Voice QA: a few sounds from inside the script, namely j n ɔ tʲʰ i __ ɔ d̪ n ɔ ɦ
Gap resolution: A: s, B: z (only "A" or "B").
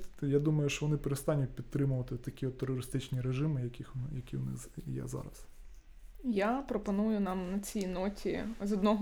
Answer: B